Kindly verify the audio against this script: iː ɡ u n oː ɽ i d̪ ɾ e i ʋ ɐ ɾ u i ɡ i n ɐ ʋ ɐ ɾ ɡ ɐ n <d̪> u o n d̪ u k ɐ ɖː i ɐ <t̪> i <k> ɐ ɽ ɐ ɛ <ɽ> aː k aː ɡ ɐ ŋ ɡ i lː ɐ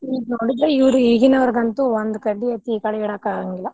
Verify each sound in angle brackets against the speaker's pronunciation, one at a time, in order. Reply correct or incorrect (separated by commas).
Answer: incorrect, correct, correct, correct